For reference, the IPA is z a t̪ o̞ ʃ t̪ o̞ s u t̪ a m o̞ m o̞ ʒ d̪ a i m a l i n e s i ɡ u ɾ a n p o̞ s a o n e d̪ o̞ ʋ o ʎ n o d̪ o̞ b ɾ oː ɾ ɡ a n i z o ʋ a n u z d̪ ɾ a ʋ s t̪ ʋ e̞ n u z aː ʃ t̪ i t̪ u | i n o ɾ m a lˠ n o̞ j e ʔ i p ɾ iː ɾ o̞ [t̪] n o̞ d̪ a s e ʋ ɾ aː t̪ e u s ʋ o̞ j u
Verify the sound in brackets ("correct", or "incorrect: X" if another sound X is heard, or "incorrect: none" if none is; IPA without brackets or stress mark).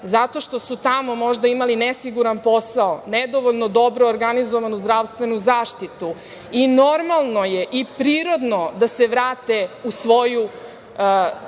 incorrect: d̪